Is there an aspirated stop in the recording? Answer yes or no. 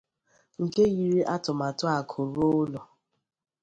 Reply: yes